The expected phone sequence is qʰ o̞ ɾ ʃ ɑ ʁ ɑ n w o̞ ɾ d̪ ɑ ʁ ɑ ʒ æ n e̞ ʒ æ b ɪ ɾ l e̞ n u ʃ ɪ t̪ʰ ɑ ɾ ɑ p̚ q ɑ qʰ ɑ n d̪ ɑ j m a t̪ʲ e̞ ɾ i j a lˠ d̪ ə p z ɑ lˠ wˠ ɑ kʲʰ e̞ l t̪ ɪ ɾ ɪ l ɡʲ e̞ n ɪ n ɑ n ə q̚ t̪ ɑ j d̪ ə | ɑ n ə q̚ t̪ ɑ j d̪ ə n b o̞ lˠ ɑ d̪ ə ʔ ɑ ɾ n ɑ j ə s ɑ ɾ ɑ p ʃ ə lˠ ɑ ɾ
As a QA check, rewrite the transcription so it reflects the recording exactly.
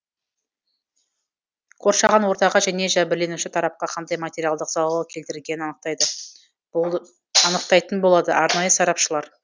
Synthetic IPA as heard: qʰ o̞ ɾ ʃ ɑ ʁ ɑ n w o̞ ɾ t̪ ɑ ʁ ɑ ʒ æ n e̞ ʒ æ b ɪ ɾ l e̞ n u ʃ ɪ t̪ʰ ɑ ɾ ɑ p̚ q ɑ qʰ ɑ n d̪ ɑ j m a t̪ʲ e̞ ɾ i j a lˠ d̪ ə q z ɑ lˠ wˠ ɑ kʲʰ e̞ l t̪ ɪ ɾ ɪ l ɡʲ e̞ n ɪ n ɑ n ə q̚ t̪ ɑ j d̪ ə | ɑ n ə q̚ t̪ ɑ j t̪ ə n b o̞ lˠ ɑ d̪ ə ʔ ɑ ɾ n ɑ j ə s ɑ ɾ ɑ p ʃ ə lˠ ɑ ɾ

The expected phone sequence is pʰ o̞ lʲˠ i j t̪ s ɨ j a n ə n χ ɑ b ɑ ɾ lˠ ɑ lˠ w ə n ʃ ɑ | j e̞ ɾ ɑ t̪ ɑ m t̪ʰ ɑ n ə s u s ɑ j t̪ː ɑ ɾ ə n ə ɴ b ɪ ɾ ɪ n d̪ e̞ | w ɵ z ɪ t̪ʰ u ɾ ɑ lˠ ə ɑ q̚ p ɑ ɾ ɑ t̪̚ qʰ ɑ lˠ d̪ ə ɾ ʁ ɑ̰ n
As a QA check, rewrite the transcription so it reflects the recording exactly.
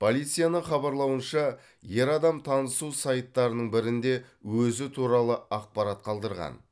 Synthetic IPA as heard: pʰ o̞ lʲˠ i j t̪ s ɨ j a n ə ɴ χ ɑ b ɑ ɾ lˠ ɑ w ə n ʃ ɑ | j e̞ ɾ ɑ d̪ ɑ m t̪ʰ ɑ n ə s u s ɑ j t̪ː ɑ ɾ ə n ə ɴ b ɪ ɾ ɪ n d̪ e̞ | w ɵ z ɪ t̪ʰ u ɾ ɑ lˠ ə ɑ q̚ p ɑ ɾ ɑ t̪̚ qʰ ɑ lˠ d̪ ə ɾ ʁ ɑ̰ n

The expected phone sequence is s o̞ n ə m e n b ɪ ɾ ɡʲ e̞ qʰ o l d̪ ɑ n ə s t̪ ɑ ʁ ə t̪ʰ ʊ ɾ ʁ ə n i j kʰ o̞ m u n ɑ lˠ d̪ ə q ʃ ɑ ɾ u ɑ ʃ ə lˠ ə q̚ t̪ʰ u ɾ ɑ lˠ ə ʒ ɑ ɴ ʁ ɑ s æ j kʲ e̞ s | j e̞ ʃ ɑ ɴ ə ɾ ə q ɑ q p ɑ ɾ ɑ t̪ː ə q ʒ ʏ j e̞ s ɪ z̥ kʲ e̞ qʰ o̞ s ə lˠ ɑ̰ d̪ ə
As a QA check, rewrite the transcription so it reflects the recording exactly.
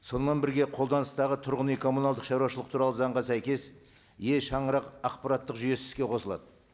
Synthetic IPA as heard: s o̞ n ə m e n b ɪ ɾ ɡʲ e̞ qʰ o l d̪ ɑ n ə s t̪ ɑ ʁ ə t̪ʰ ʊ ɾ ʁ ə n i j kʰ o̞ m u n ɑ lˠ d̪ ə q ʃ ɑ ɾ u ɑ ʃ ə lˠ ə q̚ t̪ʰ u ɾ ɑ lˠ ə z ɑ ɴ ʁ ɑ s æ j kʲ e̞ s | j e̞ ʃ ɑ ɴ ə ɾ ɑ q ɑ q p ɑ ɾ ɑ t̪ː ə q ʒ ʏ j e̞ s ɪ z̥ kʲ e̞ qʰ o̞ s ə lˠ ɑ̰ d̪ ə

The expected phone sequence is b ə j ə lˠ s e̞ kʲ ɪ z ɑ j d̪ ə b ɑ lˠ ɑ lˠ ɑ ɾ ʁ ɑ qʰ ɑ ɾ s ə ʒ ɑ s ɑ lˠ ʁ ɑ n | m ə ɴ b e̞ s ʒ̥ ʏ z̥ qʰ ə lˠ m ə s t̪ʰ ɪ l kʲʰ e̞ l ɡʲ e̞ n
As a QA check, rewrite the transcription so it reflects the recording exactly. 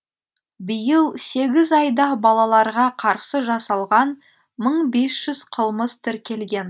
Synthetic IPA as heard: b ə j ə lˠ s e̞ ɡʲ ɪ z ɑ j d̪ ɑ b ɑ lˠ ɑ lˠ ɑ ɾ ʁ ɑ qʰ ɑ ɾ s ə ʒ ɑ s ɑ lˠ ʁ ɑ n | m ə ɴ b e̞ s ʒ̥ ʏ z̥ qʰ ə lˠ m ə s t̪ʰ ɪ ɾ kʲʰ e̞ l ɡʲ e̞ n

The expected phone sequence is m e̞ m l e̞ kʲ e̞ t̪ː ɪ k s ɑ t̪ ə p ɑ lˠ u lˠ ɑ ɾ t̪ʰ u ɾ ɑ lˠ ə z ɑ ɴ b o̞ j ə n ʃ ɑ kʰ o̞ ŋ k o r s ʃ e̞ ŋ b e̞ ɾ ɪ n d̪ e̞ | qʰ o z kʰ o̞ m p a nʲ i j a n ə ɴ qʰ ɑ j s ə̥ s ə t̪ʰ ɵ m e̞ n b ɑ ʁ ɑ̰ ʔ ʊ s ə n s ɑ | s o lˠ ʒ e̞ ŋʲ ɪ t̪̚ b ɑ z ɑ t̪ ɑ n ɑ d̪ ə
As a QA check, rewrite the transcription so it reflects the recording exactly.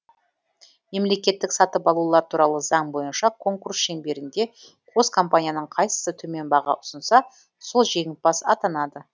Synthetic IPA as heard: m e̞ m l e̞ kʲ e̞ t̪ː ɪ k s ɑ t̪ ə p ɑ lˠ u lˠ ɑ ɾ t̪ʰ u ɾ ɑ lˠ ə z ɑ ɴ b o̞ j ə n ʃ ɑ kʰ o̞ ŋ k u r s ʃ e̞ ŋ b e̞ ɾ ɪ n d̪ e̞ | qʰ o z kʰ o̞ m p a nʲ i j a n ə ɴ qʰ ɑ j s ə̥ s ə t̪ʰ ɵ m e̞ n b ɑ ʁ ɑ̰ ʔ ʊ s ə n s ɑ | s o lˠ ʒ e̞ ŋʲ ɪ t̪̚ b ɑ s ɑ t̪ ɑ n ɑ d̪ ə

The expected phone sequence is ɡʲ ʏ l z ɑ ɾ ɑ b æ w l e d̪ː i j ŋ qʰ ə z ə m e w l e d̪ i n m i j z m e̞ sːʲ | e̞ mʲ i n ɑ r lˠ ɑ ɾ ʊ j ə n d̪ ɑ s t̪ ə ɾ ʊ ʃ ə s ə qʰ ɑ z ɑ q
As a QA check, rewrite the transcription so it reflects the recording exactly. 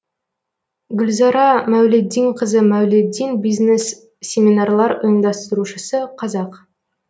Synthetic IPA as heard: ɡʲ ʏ l z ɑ ɾ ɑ m æ w l e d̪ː i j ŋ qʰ ə z ə m æ w l e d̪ i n b i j z n e̞ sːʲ | e̞ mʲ i n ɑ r lˠ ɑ ɾ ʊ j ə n d̪ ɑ s t̪ ə ɾ u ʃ ə s ə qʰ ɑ z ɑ q

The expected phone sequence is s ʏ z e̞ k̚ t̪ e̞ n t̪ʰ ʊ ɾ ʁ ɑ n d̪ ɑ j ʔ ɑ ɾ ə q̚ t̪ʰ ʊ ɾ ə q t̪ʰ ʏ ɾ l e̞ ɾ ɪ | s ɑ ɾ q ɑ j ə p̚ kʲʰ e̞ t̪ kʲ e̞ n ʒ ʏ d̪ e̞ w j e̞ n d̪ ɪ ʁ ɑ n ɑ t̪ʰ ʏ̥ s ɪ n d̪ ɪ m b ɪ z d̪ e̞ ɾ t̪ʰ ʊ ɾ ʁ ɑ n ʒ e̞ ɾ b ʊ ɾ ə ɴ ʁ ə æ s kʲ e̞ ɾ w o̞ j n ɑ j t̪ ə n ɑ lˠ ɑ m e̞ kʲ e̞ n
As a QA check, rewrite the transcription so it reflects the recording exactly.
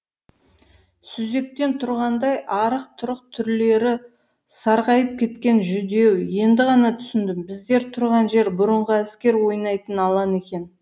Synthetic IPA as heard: s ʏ z e̞ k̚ t̪ e̞ n t̪ʰ ʊ ɾ ʁ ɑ n d̪ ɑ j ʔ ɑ ɾ ə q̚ t̪ʰ ʊ ɾ ə q t̪ʰ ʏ ɾ l e̞ ɾ ɪ | s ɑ ɾ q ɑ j ə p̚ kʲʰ e̞ t̪ kʲ e̞ n ʒ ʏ d̪ e̞ w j e̞ n d̪ ɪ ʁ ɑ n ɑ t̪ʰ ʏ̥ s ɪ n d̪ ɪ m b ɪ z d̪ e̞ ɾ t̪ʰ ʊ ɾ ʁ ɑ n ʒ e̞ ɾ b ʊ ɾ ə ɴ ʁ ə æ s kʲ e̞ ɾ w o̞ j n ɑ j t̪ ə n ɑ lˠ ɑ n e̞ kʲ e̞ n

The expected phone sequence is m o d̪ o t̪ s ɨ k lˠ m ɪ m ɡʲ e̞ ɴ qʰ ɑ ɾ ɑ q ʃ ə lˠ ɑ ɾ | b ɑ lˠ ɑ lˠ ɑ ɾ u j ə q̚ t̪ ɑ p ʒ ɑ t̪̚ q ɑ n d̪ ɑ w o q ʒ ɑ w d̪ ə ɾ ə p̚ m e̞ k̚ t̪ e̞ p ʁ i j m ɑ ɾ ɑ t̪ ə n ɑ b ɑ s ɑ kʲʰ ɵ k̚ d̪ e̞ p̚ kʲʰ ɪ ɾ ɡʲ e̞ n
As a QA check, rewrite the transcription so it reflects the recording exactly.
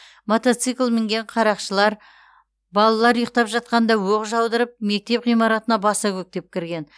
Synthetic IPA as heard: m o t̪ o t̪ s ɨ k lˠ m ɪ ŋ ɡʲ e̞ ɴ qʰ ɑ ɾ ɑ q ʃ ə lˠ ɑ ɾ | b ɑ lˠ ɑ lˠ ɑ ɾ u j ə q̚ t̪ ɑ p ʒ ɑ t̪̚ q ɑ n d̪ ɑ w o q ʒ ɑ w d̪ ə ɾ ə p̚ m e̞ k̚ t̪ e̞ p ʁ i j m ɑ ɾ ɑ t̪ ə n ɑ b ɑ s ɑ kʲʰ ɵ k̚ t̪ e̞ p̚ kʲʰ ɪ ɾ ɡʲ e̞ n

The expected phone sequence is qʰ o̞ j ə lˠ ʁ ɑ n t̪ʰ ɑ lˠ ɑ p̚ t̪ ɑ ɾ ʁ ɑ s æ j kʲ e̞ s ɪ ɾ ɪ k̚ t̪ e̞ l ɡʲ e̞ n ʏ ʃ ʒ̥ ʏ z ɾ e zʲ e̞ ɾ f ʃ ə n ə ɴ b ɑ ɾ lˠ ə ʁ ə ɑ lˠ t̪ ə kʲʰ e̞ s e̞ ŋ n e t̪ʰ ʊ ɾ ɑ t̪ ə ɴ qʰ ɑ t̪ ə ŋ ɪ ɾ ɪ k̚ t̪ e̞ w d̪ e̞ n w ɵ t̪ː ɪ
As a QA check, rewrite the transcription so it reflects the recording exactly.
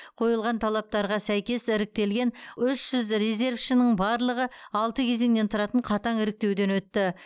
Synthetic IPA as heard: qʰ o̞ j ə lˠ ʁ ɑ n t̪ʰ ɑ lˠ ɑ p̚ t̪ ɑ ɾ ʁ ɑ s æ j kʲ e̞ s ɪ ɾ ɪ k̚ t̪ e̞ l ɡʲ e̞ n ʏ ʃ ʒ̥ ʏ z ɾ e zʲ e̞ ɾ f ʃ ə n ə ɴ b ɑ ɾ lˠ ə ʁ ə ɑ lˠ t̪ ə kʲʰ e̞ z e̞ ŋ n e t̪ʰ ʊ ɾ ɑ t̪ ə ɴ qʰ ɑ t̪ ɑ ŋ ɪ ɾ ɪ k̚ t̪ e̞ w d̪ e̞ n w ɵ t̪ː ɪ

